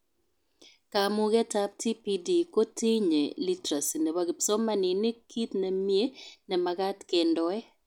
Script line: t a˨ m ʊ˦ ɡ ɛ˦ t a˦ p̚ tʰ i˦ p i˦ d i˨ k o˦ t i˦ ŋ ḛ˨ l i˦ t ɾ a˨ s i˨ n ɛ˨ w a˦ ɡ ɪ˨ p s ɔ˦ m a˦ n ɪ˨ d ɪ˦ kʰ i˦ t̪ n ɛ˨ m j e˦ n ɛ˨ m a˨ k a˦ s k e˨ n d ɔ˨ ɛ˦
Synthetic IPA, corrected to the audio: k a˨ m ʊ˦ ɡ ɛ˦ t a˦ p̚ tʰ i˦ p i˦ d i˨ k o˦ t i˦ ɲ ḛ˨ l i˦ t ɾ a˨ s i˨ n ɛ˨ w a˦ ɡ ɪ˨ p s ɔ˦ m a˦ n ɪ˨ n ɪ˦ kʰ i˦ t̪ n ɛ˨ m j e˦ n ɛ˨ m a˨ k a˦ t k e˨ n d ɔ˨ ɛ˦